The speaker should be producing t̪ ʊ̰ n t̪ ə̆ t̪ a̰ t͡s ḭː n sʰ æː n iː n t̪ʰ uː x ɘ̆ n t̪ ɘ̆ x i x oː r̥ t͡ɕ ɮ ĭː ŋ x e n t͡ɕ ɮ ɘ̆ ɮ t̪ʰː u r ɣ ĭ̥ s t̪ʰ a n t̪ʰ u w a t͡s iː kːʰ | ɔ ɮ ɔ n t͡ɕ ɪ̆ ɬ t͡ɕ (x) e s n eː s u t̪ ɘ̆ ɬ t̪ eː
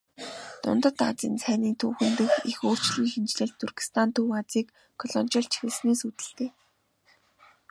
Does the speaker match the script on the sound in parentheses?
yes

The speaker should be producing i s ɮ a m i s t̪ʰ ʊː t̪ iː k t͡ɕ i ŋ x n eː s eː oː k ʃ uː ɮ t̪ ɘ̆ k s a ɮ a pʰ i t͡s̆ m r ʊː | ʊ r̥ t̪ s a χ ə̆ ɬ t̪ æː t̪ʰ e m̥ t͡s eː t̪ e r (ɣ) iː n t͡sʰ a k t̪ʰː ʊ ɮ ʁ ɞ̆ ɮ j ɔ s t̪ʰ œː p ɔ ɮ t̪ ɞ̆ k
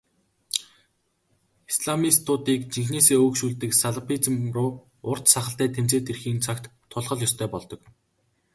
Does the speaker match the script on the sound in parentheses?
no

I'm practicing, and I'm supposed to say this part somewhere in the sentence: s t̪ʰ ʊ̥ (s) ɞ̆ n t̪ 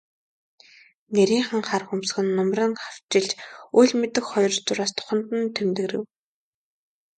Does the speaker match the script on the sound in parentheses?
no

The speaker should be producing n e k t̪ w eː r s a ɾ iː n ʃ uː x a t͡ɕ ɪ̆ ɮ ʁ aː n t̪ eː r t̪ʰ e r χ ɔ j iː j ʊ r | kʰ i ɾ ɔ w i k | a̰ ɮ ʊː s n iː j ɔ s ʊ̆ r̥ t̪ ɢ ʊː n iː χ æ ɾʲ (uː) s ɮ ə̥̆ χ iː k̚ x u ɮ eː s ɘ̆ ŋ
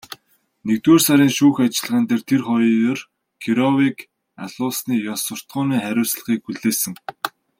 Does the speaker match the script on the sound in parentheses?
no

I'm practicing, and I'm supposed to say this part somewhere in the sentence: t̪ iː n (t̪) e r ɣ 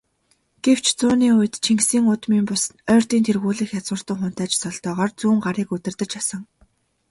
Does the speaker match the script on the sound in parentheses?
no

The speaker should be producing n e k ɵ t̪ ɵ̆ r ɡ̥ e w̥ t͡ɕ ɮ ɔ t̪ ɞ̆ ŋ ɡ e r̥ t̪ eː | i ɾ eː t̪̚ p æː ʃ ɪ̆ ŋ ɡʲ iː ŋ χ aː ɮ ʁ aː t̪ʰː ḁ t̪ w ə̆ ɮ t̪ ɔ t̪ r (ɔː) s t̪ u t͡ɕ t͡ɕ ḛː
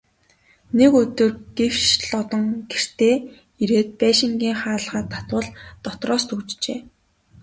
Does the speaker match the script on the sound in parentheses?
yes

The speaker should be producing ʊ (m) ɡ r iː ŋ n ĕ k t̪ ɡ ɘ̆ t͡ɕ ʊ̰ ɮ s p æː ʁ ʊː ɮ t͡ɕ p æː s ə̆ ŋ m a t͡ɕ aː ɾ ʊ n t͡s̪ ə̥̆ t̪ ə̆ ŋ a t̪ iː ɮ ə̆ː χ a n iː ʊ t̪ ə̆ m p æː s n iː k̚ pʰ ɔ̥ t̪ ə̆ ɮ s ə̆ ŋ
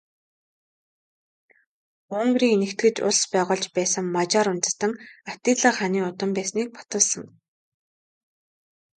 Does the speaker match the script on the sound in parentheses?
no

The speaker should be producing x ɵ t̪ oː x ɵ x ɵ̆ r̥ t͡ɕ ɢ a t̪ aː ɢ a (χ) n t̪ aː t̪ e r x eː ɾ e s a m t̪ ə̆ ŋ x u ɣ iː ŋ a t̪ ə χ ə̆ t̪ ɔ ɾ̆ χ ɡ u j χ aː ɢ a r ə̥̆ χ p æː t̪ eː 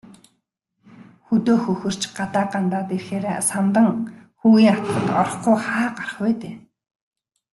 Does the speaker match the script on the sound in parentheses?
no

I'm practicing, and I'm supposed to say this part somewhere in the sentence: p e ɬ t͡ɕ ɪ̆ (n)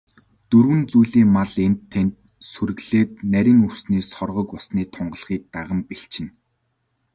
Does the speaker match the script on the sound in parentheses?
yes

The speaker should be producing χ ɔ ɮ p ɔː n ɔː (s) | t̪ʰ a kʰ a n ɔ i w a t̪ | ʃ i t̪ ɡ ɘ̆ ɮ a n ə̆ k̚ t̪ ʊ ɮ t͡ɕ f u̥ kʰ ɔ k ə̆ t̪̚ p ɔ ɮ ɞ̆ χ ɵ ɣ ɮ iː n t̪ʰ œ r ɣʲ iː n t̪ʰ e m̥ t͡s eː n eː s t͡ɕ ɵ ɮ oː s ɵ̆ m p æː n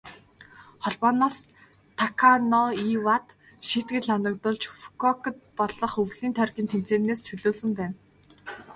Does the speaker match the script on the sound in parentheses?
yes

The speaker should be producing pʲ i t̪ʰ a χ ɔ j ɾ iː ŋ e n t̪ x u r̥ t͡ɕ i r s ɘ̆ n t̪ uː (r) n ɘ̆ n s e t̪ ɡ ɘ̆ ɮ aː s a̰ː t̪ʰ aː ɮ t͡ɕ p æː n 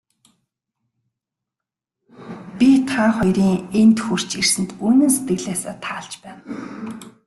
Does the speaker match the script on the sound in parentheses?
no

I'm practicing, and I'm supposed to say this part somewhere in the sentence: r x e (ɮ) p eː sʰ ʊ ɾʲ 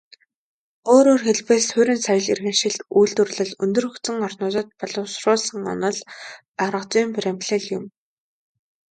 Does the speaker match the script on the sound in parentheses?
yes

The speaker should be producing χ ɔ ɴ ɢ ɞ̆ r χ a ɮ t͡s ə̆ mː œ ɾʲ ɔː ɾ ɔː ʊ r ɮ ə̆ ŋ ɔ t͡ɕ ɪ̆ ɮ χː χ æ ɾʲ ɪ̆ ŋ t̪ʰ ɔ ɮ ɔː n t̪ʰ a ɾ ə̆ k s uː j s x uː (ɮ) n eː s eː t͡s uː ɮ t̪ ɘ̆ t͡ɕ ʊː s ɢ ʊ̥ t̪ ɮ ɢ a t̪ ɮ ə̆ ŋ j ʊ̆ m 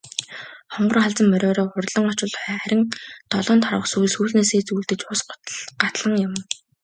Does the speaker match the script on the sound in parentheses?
yes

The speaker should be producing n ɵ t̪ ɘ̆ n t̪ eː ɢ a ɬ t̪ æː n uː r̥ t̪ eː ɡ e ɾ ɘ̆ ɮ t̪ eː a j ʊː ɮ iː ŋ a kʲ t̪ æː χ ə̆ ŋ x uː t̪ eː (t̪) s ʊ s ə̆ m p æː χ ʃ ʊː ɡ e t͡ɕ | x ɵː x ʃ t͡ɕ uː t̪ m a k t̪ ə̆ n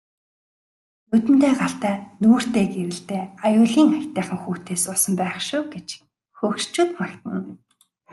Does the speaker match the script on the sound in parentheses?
no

